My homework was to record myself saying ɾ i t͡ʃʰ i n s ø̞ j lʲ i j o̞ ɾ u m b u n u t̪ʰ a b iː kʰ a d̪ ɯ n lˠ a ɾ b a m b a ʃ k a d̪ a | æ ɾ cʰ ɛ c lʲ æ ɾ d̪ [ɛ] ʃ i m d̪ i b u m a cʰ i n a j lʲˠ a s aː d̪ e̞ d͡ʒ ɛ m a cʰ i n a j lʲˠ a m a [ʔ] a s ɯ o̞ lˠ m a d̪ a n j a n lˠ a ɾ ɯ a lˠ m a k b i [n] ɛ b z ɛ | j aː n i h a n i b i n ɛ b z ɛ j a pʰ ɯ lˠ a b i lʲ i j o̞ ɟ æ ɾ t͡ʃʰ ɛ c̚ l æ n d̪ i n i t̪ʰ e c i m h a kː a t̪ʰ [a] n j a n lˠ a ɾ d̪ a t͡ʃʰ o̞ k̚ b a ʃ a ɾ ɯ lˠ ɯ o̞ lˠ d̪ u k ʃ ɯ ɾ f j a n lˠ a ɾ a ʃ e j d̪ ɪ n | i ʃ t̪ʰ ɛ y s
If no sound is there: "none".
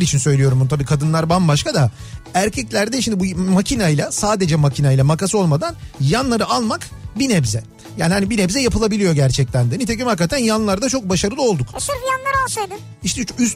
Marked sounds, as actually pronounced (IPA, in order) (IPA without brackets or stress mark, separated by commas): ɛ, k, n, æ